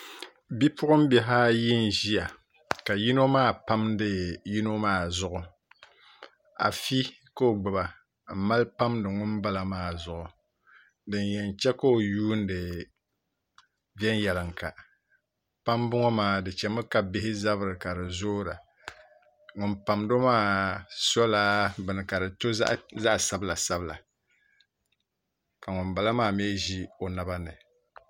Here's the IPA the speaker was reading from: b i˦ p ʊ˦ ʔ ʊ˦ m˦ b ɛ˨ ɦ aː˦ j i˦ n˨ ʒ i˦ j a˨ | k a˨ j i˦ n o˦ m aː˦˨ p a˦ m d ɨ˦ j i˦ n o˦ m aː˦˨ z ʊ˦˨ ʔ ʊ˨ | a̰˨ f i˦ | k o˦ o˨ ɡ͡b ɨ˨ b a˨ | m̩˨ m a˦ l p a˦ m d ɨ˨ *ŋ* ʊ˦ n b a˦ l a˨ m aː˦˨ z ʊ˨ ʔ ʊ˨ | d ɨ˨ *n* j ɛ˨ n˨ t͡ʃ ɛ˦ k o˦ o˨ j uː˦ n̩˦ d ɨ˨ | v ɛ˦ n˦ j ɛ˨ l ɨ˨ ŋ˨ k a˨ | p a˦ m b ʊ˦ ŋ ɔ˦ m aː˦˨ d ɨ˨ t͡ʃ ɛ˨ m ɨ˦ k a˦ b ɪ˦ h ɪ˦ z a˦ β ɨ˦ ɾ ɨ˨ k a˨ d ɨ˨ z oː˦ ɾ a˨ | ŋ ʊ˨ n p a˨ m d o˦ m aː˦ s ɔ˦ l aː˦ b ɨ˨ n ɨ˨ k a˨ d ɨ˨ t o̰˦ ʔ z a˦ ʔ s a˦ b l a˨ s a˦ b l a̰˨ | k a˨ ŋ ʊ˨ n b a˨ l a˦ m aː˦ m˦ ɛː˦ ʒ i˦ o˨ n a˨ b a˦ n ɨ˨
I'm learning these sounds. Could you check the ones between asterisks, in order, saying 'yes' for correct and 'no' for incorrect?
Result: yes, yes

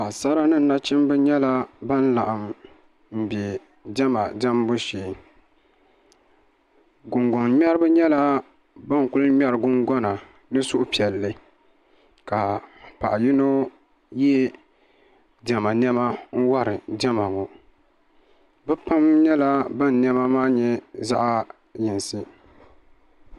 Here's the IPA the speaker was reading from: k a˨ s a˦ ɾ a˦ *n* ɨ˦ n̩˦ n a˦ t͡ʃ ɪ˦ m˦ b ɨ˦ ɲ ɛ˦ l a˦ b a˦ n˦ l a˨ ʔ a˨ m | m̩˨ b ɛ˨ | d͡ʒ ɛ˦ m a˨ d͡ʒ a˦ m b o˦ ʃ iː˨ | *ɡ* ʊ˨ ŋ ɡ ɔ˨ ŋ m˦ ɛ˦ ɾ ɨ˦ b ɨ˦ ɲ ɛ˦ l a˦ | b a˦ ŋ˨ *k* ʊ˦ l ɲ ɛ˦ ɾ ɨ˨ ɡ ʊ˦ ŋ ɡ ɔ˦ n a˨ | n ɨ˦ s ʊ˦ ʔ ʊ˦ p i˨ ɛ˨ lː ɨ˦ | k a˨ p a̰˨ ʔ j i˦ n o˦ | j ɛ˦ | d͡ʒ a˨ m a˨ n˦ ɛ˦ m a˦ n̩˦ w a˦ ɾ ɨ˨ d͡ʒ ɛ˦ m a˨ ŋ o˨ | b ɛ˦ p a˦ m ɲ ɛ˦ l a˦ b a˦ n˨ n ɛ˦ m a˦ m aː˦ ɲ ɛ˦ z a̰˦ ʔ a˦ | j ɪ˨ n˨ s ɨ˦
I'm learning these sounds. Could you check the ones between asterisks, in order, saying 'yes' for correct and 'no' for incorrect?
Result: yes, yes, yes

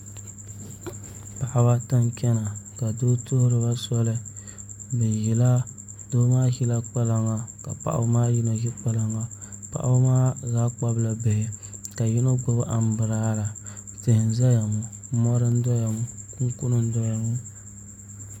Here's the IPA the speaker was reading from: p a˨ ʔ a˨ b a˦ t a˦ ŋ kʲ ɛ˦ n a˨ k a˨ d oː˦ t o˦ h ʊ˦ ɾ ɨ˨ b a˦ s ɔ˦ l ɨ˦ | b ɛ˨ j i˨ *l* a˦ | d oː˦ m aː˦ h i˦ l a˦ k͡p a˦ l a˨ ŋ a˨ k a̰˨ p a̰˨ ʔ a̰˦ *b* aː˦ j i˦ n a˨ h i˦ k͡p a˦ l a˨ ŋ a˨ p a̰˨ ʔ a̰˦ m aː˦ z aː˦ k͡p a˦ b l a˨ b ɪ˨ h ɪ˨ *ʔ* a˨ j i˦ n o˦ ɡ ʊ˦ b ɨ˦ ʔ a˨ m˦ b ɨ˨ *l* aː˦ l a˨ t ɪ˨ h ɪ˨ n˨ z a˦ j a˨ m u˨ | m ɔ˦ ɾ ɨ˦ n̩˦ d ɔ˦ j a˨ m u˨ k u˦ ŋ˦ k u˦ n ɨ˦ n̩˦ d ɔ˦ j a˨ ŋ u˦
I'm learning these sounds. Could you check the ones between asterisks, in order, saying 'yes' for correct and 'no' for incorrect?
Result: yes, no, no, no

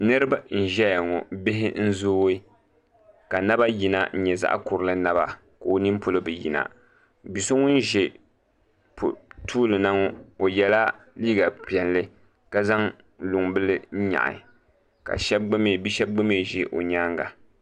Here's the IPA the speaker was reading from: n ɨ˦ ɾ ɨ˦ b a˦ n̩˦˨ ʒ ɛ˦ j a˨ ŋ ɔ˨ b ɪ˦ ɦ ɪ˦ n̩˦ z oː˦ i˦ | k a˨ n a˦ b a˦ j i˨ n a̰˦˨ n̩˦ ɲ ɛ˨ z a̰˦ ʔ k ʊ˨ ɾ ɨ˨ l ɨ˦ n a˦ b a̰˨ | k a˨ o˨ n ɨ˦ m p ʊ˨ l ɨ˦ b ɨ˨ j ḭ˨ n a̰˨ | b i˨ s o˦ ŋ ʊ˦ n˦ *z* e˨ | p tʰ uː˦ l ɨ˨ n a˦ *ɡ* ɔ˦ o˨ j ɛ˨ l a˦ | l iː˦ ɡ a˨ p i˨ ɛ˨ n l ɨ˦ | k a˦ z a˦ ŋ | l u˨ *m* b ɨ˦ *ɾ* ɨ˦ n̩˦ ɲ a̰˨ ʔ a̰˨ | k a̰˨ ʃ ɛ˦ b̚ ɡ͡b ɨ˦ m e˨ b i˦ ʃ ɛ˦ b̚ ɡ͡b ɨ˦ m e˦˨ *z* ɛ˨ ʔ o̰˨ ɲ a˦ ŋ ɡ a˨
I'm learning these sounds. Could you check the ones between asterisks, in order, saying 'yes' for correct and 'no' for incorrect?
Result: no, no, no, no, no

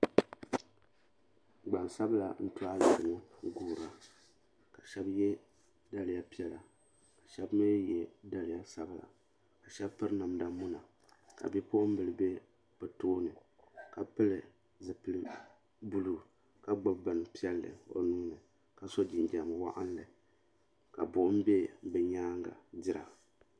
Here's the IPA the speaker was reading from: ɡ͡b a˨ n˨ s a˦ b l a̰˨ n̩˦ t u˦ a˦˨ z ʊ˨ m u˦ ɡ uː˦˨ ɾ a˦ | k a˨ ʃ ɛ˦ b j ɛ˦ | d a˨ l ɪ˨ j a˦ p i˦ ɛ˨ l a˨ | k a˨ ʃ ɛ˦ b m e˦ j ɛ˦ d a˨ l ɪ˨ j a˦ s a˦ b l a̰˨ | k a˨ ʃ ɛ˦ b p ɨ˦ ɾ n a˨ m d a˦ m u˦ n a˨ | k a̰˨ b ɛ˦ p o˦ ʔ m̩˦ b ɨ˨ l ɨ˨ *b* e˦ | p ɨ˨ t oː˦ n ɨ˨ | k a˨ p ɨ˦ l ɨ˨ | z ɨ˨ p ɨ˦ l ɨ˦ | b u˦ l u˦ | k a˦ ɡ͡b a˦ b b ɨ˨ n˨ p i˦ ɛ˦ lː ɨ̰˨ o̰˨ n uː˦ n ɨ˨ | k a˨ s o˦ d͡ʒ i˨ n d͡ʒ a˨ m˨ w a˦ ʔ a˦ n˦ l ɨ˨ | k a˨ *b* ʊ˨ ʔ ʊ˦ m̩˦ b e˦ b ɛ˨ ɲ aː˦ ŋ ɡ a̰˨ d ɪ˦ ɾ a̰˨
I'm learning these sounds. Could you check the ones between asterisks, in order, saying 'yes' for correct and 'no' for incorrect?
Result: yes, yes

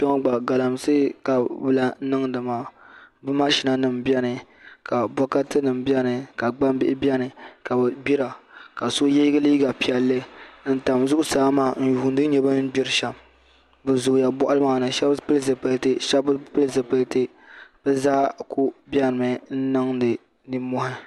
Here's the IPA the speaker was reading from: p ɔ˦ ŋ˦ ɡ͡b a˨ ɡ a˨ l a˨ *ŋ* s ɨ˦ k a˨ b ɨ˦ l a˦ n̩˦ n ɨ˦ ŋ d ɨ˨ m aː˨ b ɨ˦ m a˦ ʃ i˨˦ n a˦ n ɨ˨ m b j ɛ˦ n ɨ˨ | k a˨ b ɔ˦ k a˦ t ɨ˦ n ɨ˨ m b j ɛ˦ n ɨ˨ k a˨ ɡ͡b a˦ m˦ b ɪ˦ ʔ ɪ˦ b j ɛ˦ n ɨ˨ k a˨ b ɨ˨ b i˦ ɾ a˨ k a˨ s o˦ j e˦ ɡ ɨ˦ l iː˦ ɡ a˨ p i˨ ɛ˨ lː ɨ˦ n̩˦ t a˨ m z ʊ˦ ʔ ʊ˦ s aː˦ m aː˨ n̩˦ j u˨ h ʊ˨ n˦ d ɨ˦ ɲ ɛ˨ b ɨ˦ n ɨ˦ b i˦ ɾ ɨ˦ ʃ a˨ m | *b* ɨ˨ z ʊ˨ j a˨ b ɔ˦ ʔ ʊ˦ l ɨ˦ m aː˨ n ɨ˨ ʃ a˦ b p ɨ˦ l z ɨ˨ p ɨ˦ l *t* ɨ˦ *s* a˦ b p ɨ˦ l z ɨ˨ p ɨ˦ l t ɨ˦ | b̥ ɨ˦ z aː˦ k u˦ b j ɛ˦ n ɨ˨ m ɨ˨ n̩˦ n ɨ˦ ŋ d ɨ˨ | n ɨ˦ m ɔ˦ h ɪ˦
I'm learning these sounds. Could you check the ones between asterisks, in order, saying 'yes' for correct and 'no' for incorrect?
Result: no, yes, yes, no

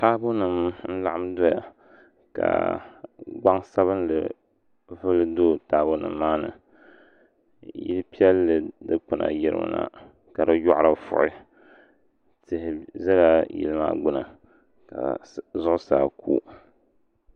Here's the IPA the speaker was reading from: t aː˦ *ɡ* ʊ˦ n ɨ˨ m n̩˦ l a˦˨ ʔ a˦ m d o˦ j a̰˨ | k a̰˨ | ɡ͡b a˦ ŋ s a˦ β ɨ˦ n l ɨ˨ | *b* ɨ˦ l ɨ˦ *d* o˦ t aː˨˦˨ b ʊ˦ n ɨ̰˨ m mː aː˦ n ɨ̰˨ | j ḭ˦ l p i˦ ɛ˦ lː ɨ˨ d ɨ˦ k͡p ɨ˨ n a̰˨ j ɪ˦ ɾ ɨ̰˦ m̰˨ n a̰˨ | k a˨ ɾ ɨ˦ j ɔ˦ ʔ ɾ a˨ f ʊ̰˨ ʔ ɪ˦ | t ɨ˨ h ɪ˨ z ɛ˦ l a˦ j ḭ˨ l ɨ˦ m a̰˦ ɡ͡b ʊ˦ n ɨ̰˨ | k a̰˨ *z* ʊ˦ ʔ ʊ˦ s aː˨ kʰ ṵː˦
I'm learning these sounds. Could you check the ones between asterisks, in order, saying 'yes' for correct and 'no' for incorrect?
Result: no, no, yes, yes

